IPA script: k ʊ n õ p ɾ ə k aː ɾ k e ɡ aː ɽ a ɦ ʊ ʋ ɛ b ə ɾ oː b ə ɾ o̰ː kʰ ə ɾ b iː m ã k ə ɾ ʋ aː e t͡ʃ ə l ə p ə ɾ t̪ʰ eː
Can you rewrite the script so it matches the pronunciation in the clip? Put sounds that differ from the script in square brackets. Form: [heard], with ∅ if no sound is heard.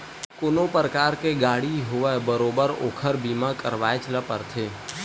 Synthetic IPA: k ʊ n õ p ɾ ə k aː ɾ k e ɡ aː ɽ [i] ɦ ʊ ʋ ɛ b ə ɾ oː b ə ɾ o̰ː kʰ ə ɾ b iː m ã k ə ɾ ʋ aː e t͡ʃ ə l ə p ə ɾ t̪ʰ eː